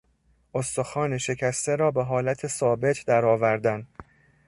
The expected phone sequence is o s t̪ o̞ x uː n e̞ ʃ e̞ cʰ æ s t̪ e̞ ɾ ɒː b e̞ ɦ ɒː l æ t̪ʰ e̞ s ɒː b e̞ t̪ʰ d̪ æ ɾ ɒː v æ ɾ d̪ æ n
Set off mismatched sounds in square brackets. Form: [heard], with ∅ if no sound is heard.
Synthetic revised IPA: o s t̪ o̞ x [ɒː] n e̞ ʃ e̞ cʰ æ s t̪ e̞ ɾ ɒː b e̞ ɦ ɒː l æ t̪ʰ e̞ s ɒː b e̞ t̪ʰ d̪ æ ɾ ɒː v æ ɾ d̪ æ n